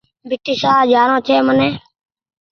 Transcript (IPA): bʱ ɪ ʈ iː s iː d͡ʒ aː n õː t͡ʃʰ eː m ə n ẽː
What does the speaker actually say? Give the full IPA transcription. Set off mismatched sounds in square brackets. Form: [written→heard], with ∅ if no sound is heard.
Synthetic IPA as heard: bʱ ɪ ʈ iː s [iː→aː] d͡ʒ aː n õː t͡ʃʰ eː m ə n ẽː